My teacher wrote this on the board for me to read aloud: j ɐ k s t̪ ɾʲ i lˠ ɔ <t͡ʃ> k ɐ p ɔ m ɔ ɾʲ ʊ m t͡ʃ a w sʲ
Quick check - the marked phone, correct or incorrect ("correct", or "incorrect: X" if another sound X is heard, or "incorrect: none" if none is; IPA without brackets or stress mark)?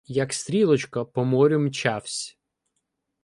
correct